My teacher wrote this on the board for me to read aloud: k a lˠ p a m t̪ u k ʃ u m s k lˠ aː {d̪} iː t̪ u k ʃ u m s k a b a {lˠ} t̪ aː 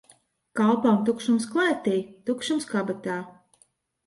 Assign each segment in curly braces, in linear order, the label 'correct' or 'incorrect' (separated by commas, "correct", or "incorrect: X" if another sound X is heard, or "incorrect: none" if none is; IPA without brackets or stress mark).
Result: incorrect: t̪, incorrect: none